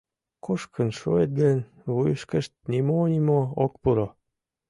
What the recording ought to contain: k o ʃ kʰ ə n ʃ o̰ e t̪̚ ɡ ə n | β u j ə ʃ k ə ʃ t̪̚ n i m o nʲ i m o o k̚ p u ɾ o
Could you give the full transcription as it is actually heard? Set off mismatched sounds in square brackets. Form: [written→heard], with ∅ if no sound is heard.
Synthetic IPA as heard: k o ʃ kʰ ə n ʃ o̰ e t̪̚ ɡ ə n | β u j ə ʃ k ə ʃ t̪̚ n i m o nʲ i m o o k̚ p u ɾ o